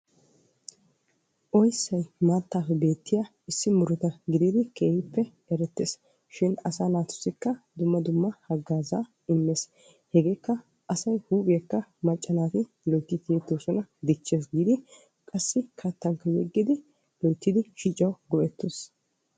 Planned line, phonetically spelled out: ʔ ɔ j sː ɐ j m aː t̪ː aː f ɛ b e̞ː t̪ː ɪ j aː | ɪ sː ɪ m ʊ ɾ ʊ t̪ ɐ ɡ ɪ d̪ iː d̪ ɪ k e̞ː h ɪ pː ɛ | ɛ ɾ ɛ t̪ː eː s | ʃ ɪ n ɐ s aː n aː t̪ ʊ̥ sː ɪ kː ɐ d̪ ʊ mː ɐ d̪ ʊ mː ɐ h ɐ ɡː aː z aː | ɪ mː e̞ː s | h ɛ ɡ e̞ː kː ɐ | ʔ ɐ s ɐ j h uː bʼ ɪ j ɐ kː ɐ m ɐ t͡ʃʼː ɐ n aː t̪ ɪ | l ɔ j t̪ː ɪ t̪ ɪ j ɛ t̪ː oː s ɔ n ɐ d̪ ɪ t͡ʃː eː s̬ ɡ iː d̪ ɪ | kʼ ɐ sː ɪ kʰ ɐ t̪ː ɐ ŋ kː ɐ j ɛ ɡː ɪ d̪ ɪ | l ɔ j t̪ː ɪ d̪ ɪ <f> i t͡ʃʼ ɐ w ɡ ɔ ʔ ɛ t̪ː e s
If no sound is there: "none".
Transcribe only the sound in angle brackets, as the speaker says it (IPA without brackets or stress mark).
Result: ʃ